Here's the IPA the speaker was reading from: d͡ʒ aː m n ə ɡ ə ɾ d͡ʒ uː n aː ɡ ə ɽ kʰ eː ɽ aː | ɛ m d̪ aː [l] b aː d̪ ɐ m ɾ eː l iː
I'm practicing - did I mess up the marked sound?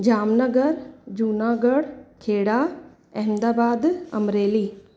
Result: yes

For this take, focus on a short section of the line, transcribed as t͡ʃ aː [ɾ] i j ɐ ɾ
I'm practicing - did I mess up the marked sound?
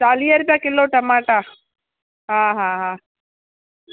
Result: yes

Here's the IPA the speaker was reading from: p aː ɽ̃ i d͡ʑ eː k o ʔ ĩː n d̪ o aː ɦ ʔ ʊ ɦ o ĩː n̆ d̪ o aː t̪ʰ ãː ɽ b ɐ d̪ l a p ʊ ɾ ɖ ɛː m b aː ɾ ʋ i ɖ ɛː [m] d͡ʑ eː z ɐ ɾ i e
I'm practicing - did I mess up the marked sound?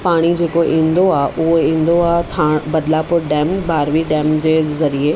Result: no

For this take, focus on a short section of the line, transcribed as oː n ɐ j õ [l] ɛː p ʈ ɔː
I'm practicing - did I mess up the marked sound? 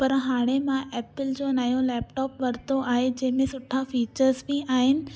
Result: no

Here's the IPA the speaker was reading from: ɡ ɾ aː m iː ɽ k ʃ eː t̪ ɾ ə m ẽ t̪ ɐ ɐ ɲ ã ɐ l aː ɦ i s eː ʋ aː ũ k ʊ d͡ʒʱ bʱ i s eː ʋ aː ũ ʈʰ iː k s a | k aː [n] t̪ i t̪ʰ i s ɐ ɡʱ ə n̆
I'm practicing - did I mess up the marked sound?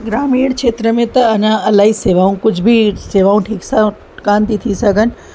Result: no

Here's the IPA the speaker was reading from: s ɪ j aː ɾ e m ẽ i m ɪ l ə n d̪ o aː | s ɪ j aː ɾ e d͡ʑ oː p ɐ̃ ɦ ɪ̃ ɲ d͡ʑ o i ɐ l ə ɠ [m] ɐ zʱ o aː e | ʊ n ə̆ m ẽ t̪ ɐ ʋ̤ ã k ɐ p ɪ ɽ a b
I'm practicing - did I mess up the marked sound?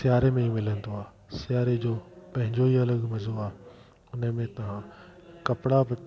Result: no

